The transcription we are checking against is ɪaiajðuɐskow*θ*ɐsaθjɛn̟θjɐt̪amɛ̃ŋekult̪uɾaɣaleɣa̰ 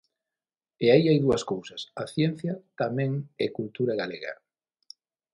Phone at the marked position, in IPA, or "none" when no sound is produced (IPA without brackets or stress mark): s